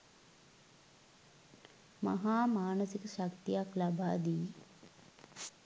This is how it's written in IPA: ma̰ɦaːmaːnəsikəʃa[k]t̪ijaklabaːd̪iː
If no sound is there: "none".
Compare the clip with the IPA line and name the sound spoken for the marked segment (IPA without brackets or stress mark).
k